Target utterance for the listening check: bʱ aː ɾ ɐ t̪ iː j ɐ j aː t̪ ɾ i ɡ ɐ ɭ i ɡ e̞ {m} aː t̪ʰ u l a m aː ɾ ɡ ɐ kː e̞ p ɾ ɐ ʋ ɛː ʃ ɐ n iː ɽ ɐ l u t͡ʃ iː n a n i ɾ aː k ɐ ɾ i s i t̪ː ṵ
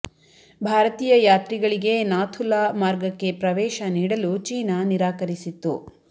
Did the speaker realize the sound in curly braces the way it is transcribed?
no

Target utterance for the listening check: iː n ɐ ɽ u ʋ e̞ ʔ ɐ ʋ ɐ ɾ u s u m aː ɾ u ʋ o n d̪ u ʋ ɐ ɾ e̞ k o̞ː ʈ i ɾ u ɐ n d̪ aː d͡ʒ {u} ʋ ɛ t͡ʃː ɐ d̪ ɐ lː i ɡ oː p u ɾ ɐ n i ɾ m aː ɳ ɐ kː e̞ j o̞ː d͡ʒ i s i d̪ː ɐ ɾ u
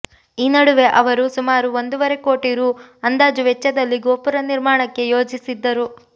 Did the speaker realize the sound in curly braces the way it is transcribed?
yes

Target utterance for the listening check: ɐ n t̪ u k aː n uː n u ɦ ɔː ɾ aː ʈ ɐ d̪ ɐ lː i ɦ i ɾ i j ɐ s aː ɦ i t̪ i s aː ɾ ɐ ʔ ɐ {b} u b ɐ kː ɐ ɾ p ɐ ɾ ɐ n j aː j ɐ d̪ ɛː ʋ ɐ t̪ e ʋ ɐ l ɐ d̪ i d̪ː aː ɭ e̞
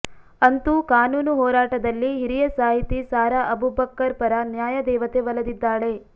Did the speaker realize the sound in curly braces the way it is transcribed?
yes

